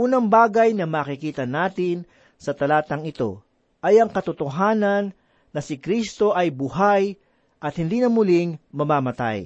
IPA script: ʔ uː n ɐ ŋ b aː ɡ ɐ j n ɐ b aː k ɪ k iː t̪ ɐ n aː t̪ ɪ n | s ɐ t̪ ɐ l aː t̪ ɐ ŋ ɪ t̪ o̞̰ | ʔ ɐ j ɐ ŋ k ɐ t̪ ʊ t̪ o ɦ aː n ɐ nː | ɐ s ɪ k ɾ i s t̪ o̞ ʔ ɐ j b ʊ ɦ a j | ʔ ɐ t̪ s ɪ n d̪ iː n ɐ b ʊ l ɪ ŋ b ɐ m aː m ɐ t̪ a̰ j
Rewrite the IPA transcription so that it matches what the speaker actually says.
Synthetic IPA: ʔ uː n ɐ ŋ b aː ɡ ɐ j n ɐ m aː k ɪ k iː t̪ ɐ n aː t̪ ɪ n | s ɐ t̪ ɐ l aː t̪ ɐ ŋ ɪ t̪ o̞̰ | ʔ ɐ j ɐ ŋ k ɐ t̪ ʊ t̪ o ɦ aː n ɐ nː | ɐ s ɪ k ɾ i s t̪ o̞ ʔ ɐ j b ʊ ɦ a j | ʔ ɐ t̪ h ɪ n d̪ iː n ɐ m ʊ l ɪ ŋ m ɐ m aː m ɐ t̪ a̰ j